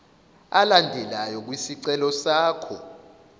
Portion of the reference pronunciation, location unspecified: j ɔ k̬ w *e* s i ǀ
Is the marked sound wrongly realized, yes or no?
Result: yes